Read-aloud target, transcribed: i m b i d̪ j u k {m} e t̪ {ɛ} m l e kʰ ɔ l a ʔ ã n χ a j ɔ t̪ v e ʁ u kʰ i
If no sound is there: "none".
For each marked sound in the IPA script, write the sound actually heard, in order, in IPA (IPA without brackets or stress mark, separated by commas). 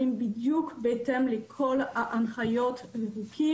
b, ɛ